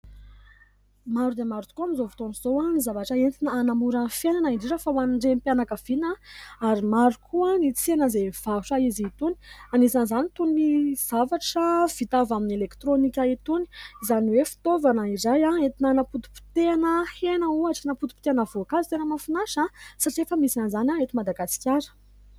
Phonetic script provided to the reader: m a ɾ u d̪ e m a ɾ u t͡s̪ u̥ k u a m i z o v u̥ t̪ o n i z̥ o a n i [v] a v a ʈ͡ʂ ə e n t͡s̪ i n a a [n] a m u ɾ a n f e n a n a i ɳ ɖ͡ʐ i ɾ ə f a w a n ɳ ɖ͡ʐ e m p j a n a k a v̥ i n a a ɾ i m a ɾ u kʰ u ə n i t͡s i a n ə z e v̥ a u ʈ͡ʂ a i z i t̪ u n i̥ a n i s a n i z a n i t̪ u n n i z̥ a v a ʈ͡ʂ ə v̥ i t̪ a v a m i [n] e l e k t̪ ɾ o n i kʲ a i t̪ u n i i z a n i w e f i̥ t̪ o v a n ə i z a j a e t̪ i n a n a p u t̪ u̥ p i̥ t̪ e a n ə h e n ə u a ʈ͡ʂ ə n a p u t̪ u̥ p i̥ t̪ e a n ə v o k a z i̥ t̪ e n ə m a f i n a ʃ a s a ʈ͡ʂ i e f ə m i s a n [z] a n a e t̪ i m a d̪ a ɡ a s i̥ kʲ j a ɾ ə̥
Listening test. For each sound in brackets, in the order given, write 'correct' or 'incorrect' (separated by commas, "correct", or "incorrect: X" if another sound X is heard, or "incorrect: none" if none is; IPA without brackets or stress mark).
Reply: incorrect: z, correct, correct, correct